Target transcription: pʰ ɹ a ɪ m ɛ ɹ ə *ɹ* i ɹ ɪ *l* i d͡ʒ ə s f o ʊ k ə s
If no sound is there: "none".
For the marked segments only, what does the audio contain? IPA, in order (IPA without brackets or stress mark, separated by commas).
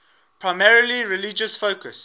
l, l